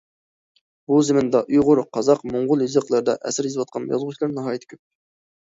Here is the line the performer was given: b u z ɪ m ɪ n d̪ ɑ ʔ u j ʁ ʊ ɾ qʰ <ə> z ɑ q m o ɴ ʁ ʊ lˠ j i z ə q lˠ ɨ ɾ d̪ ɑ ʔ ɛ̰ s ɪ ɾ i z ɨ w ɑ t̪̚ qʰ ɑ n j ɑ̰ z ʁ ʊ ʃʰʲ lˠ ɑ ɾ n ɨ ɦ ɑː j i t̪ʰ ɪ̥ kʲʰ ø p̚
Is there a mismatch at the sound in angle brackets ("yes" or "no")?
yes